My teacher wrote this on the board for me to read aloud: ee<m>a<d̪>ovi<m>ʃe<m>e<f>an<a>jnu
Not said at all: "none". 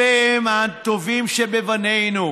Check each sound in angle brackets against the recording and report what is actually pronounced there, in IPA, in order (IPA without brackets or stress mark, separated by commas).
m, t̪, m, b, v, e